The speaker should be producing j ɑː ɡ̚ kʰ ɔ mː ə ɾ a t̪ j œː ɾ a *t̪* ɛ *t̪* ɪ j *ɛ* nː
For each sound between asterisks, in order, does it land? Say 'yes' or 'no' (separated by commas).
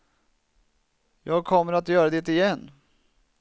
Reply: no, yes, yes